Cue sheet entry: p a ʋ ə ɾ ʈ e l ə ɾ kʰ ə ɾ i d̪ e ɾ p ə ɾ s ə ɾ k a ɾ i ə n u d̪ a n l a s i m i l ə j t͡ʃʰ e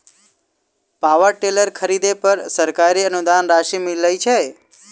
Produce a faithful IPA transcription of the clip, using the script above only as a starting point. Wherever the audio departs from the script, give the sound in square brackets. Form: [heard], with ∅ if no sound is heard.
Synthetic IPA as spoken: p a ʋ ə ɾ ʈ e l ə ɾ kʰ ə ɾ i d̪ e [∅] p ə ɾ s ə ɾ k a ɾ i ə n u d̪ a n [ɾ] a [ʃ] i m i l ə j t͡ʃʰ e